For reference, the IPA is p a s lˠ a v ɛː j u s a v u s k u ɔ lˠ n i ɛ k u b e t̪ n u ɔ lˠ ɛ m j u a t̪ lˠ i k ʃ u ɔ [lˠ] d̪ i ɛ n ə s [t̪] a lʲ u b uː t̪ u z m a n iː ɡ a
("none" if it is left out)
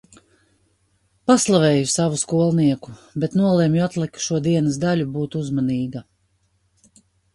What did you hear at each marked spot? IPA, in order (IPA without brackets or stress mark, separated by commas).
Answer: none, d̪